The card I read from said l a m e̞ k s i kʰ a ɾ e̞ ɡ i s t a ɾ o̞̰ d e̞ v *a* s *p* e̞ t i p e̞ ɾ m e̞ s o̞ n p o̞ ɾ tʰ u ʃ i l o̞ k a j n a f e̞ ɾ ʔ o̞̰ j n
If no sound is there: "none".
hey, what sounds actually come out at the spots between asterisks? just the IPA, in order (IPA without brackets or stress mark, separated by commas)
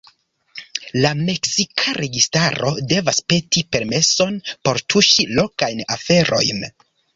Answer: a, p